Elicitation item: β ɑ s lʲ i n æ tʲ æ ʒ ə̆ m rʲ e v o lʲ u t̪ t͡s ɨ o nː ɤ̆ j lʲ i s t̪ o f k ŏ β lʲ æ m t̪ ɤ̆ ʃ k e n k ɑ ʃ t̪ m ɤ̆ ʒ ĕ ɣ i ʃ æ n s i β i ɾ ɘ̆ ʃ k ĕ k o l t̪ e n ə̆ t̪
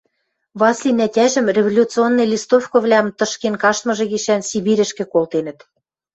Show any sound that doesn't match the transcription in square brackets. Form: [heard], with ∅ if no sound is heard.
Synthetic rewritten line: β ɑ s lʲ i n æ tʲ æ ʒ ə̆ m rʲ e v o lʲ u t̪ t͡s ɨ o nː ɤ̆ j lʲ i s t̪ o f k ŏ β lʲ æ m t̪ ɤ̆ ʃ k e n k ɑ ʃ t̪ m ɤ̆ ʒ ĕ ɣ i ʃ æ n s i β i ɾ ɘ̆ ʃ k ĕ k o l t̪ e n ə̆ t̪